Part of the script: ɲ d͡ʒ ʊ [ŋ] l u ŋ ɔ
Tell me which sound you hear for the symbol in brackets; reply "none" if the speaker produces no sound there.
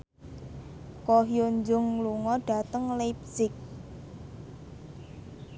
ŋ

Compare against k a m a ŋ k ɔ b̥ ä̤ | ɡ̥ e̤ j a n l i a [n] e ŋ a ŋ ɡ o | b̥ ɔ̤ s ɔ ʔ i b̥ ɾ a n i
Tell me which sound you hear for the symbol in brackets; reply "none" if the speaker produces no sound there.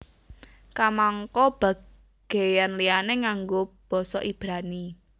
n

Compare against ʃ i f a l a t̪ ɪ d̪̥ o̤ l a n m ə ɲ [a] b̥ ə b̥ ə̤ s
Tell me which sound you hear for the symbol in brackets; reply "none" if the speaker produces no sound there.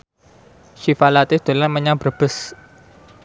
a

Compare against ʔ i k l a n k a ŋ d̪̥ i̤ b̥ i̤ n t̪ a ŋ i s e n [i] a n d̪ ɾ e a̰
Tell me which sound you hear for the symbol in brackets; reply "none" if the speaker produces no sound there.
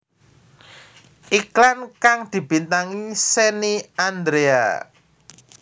i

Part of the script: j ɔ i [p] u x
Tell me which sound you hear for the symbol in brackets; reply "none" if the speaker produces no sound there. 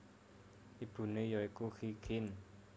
k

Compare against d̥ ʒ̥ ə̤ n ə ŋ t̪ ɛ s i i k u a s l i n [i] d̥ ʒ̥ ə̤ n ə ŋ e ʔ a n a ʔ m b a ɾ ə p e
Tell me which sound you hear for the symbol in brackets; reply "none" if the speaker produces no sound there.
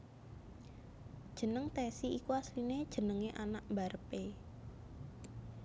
e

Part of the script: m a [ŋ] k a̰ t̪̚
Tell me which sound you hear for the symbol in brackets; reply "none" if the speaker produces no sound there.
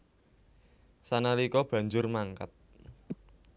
ŋ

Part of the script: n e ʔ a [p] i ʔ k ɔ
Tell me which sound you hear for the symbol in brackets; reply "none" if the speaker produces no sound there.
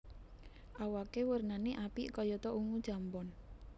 p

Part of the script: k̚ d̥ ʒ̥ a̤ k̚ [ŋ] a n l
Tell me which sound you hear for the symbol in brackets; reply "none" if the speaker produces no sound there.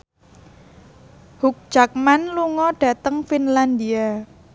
m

